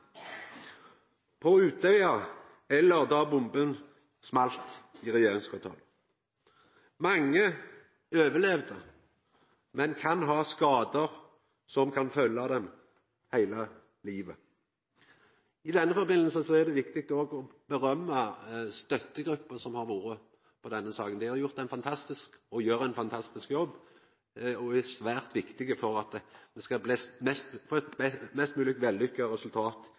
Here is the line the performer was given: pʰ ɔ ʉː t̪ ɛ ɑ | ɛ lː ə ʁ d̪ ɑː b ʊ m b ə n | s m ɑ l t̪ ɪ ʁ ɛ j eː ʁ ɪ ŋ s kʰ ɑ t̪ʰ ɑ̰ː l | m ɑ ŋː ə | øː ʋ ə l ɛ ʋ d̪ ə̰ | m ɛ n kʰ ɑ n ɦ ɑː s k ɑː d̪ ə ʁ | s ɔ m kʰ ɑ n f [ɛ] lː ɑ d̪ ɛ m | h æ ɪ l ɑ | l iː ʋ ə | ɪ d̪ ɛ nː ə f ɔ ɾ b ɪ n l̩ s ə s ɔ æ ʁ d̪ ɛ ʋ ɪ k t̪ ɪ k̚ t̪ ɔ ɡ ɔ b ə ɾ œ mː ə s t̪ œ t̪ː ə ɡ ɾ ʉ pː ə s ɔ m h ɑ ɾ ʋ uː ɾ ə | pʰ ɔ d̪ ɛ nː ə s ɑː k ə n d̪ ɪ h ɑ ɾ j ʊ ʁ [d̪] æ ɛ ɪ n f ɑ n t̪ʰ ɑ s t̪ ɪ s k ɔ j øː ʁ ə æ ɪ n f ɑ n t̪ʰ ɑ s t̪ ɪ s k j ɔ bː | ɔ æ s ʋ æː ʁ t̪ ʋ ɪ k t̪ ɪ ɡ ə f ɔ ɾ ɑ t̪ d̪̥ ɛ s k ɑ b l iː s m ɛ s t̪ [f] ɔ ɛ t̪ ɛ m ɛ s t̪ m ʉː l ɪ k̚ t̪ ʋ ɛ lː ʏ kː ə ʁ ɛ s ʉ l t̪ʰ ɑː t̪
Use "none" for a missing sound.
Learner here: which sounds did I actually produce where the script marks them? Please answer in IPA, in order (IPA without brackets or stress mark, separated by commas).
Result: œ, t̪, f